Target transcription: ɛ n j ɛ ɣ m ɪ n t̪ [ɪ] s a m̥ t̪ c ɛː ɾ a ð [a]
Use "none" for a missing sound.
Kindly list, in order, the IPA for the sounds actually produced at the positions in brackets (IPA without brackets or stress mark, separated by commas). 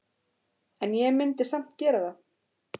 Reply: ɪ, a